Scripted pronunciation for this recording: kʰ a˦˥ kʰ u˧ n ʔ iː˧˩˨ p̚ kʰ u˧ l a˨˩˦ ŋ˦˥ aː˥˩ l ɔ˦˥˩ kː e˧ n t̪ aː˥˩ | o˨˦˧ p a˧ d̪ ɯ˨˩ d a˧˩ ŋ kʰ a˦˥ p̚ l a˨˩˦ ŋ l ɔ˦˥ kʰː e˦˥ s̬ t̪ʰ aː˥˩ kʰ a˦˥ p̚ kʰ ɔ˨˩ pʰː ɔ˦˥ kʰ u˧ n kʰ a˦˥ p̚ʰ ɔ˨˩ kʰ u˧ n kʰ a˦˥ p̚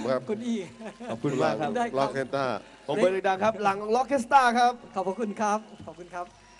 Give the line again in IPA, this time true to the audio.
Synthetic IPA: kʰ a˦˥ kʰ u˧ n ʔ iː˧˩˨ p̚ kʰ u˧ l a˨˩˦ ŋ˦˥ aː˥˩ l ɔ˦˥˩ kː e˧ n t̪ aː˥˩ | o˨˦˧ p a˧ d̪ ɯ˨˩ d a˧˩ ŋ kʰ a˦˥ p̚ l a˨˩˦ ŋ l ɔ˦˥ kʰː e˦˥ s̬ t̪ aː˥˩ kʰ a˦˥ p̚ kʰ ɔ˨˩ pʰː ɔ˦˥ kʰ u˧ n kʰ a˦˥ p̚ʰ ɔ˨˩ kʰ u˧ n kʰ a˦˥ p̚

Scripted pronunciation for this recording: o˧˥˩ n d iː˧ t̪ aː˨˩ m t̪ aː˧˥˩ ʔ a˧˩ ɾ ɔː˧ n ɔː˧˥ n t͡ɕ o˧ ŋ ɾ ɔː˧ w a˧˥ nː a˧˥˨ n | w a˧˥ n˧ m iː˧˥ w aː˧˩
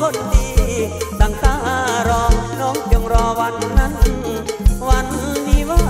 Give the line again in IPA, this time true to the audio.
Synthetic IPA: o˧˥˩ n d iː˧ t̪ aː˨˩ ŋ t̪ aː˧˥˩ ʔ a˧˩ ɾ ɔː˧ n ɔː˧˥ ŋ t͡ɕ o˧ ŋ ɾ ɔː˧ w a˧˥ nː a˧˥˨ n | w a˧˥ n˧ m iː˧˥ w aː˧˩

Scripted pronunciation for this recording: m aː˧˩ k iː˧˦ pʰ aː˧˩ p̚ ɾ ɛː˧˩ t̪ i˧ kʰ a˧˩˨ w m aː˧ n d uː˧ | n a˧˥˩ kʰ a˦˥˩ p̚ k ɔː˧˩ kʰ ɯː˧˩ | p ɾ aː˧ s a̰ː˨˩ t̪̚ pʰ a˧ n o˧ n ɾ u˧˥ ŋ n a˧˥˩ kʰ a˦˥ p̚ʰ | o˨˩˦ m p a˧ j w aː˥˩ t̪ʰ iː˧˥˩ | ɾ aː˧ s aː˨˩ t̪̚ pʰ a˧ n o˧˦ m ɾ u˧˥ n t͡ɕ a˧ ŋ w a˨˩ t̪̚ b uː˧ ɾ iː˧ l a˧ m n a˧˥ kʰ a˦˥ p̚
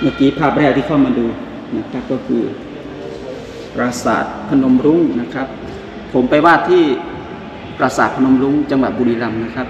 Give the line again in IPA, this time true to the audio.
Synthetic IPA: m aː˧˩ k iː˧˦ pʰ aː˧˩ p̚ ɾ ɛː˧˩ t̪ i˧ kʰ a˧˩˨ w m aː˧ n d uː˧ | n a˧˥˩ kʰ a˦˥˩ p̚ k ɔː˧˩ kʰ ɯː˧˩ | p ɾ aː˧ s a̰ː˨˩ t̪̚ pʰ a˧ n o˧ m ɾ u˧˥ ŋ n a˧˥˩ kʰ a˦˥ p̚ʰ | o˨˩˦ m p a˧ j w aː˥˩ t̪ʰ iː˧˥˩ | ɾ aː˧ s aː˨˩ t̪̚ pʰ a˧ n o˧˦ m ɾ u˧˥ ŋ t͡ɕ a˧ ŋ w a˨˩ t̪̚ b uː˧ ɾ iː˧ l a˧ m n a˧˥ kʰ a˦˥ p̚

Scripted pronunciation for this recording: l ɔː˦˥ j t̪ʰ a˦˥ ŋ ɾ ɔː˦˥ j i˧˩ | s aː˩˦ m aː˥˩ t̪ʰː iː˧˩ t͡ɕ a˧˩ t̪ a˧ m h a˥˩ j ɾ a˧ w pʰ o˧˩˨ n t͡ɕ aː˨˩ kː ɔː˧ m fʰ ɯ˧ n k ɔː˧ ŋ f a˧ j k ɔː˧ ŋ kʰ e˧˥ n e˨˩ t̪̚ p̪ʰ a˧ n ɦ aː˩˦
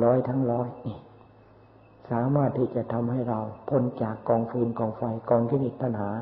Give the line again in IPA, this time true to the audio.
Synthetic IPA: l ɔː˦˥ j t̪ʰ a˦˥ ŋ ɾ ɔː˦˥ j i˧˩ | s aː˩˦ m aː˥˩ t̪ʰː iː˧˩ t͡ɕ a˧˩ t̪ʰ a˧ m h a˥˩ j ɾ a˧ w pʰ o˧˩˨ n t͡ɕ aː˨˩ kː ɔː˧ ŋ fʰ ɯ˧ n k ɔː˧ ŋ f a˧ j k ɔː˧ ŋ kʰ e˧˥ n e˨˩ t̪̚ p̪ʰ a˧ n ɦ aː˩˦

